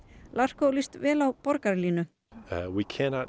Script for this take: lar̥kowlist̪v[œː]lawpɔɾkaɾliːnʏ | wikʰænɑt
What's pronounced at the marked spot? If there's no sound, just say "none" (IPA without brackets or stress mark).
ɛː